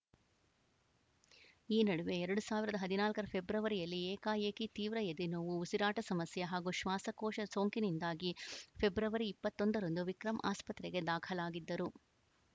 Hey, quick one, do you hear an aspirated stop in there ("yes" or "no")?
yes